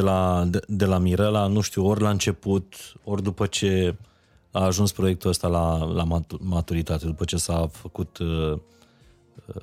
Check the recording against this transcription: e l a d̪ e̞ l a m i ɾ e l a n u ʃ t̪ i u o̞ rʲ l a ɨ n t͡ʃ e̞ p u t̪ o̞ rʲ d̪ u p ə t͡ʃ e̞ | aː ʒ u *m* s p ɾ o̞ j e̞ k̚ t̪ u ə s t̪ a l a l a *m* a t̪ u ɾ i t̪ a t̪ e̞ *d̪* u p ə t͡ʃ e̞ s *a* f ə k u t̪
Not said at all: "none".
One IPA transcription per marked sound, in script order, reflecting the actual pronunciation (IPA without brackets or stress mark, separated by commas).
n, m, d̪, a